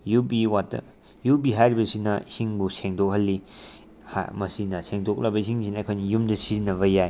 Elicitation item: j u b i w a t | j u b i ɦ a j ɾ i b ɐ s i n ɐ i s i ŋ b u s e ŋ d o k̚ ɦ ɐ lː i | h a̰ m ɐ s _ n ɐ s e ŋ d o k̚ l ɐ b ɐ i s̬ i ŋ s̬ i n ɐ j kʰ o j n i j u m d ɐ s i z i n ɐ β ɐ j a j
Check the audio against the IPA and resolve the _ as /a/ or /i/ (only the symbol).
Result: i